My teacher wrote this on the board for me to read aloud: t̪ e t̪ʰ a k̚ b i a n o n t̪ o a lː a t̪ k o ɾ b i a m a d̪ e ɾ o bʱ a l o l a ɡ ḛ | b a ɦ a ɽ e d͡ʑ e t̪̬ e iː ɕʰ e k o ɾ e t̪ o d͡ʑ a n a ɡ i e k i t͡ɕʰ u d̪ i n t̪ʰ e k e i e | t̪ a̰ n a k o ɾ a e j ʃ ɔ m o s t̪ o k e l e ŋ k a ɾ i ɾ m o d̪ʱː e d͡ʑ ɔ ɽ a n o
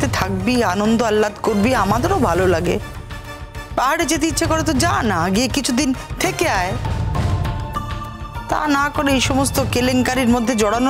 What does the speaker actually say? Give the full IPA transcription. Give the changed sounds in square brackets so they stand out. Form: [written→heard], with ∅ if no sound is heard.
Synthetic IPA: t̪ e t̪ʰ a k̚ b i a n o n [t̪→d̪] o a lː a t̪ k o ɾ b i a m a d̪ e ɾ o bʱ a l o l a ɡ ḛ | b a ɦ a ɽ e d͡ʑ e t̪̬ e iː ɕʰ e k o ɾ e t̪ o d͡ʑ a n a ɡ i e k i t͡ɕʰ u d̪ i n t̪ʰ e k e [i→a] e | t̪ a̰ n a k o ɾ [a→e] e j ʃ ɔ m o s t̪ o k e l e ŋ k a ɾ i ɾ m o d̪ʱː e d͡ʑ ɔ ɽ a n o